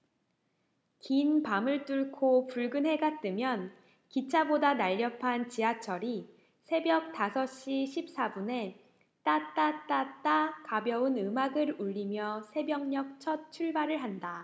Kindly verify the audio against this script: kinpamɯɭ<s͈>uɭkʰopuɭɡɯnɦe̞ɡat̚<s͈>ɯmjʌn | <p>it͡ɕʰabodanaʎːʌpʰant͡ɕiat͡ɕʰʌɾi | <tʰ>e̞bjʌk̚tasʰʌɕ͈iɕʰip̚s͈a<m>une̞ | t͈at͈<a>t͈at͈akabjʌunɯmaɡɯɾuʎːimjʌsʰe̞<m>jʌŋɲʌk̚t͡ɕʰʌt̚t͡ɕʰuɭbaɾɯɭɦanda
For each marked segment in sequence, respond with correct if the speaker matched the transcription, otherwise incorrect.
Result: incorrect: t͈, incorrect: t͈, incorrect: k, incorrect: sʰ, incorrect: b, correct, incorrect: b

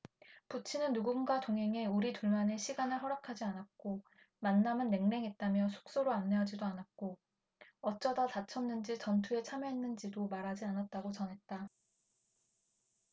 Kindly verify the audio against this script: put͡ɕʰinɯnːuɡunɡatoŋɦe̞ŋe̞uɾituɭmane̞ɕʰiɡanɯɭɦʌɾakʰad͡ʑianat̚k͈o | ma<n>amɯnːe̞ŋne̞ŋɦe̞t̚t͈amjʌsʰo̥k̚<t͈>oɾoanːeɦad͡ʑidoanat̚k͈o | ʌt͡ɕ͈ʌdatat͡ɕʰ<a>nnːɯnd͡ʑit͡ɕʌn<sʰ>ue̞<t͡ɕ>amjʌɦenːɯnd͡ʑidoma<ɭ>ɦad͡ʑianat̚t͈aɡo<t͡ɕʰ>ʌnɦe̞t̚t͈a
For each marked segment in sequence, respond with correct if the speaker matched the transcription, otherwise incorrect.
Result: incorrect: nː, incorrect: s͈, incorrect: ʌ, incorrect: tʰ, incorrect: t͡ɕʰ, incorrect: ɾ, incorrect: t͡ɕ

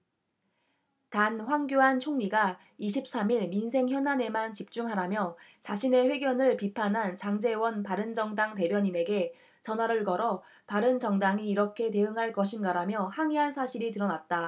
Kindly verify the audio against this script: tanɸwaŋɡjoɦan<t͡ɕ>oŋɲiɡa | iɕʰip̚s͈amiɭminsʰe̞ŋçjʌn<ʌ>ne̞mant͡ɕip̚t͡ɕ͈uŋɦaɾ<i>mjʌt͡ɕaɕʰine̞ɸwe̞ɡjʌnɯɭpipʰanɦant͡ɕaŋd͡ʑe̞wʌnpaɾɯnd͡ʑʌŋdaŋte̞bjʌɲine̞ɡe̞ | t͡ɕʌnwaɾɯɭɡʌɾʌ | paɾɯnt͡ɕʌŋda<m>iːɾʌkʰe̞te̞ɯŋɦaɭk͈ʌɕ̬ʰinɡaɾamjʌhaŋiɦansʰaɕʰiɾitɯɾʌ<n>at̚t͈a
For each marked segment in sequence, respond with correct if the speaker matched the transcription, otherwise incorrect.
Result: incorrect: t͡ɕʰ, incorrect: a, incorrect: a, incorrect: ŋ, correct

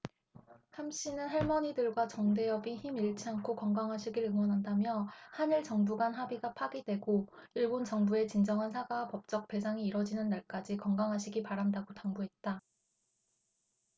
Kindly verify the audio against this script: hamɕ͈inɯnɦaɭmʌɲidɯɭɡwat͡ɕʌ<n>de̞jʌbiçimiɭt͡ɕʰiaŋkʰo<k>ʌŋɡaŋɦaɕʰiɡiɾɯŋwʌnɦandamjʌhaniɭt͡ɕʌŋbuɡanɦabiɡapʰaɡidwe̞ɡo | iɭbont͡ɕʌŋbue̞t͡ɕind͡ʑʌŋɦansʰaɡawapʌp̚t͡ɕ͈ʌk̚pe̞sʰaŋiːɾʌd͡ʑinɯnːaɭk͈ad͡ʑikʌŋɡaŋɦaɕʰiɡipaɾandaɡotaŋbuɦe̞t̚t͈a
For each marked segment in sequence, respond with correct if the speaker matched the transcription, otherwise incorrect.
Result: incorrect: ŋ, correct

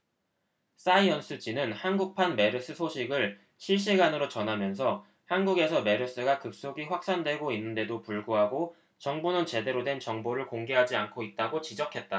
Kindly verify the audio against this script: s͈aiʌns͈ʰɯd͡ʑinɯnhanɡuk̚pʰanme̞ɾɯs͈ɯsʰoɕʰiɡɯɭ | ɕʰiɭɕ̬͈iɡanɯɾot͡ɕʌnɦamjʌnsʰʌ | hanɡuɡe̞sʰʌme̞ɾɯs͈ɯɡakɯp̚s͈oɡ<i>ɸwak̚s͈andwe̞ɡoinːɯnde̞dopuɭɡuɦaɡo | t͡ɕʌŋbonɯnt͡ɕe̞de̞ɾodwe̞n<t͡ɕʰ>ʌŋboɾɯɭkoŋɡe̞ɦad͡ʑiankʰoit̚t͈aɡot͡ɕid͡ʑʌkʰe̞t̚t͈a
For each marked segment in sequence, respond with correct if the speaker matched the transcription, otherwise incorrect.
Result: correct, incorrect: t͡ɕ

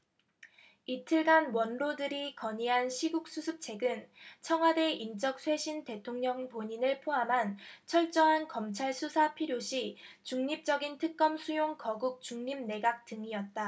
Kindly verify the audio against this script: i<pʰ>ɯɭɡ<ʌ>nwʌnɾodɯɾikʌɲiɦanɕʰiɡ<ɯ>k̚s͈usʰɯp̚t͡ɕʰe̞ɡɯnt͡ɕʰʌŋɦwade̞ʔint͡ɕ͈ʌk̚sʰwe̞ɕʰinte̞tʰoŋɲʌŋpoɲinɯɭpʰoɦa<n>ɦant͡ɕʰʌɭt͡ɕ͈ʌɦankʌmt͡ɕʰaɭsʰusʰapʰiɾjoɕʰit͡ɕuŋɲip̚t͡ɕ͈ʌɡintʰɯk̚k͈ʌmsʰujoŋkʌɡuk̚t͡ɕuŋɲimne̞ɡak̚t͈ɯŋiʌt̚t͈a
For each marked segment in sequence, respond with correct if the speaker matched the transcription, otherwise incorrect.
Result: incorrect: tʰ, incorrect: a, incorrect: u, incorrect: m

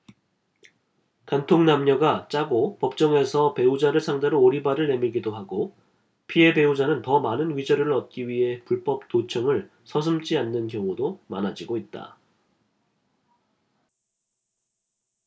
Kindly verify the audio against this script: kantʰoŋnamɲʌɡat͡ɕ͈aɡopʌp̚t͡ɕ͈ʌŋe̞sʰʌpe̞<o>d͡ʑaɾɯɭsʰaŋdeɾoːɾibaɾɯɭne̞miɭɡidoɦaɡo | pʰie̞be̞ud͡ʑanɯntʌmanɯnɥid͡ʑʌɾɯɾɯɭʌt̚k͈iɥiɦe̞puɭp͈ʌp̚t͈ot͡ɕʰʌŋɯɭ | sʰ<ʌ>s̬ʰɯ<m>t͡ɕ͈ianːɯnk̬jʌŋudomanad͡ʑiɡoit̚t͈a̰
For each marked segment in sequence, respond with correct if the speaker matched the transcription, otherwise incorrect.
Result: incorrect: u, correct, correct

